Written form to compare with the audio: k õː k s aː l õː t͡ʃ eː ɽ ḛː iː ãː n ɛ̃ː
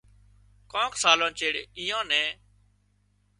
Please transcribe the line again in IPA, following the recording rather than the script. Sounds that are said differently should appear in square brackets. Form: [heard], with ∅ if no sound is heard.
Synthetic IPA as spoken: k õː k s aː l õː t͡ʃ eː ɽ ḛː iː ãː n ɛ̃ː